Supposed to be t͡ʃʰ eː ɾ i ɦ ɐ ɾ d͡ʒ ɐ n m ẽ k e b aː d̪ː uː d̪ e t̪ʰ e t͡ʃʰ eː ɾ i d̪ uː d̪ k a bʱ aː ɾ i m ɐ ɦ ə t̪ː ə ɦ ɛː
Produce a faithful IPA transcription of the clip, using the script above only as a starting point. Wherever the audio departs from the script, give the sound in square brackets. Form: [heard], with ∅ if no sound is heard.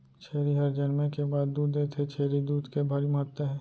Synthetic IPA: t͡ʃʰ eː ɾ i ɦ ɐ ɾ d͡ʒ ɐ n m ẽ k e b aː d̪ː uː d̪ e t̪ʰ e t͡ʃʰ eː ɾ i d̪ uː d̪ k [e] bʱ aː ɾ i m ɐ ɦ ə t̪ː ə ɦ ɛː